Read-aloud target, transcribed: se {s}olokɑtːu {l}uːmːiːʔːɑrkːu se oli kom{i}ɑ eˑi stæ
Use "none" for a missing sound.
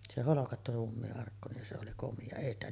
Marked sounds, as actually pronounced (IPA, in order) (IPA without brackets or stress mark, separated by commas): h, r, i